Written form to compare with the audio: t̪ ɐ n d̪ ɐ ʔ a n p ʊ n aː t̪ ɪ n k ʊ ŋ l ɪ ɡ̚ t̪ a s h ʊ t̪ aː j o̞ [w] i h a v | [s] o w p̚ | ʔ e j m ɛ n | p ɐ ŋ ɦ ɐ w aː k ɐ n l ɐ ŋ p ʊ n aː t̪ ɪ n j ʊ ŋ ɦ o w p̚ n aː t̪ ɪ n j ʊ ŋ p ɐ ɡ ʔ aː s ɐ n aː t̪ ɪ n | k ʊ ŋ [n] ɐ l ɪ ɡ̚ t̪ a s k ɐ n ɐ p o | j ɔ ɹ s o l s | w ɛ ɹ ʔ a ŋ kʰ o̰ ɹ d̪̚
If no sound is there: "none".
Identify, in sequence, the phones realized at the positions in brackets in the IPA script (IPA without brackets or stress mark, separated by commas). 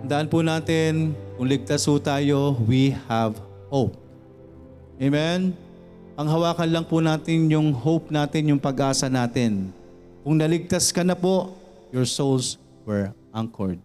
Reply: w, h, n